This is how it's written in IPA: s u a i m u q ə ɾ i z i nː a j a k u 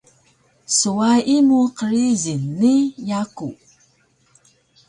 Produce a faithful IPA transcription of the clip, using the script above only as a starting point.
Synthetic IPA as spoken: s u a i m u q ə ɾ i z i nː i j a k u